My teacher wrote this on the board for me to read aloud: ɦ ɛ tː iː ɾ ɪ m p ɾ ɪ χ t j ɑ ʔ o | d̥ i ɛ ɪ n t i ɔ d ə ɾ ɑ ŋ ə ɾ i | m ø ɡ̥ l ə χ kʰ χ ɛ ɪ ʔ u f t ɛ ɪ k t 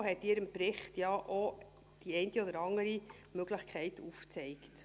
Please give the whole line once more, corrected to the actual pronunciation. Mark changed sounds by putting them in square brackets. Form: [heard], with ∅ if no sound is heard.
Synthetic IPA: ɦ ɛ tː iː ɾ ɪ m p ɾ ɪ χ t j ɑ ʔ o | d̥ i ɛ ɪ n t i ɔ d ə ɾ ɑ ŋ ə ɾ i | m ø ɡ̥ l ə χ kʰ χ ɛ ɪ [t] u f [t͡s] ɛ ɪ k t